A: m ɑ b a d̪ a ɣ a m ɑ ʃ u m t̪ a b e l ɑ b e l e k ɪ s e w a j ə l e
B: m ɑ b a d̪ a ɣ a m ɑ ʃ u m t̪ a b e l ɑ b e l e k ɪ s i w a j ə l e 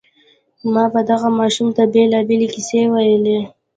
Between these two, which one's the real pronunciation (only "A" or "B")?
A